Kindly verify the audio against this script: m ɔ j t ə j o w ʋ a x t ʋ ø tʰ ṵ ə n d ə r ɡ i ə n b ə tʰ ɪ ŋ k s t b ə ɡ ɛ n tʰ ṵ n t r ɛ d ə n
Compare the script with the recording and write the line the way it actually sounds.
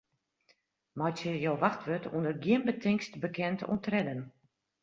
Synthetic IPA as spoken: m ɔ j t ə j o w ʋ a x t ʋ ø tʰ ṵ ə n d ə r ɡ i ə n b ə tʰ ɪ ŋ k s t b ə k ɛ n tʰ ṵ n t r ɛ d ə n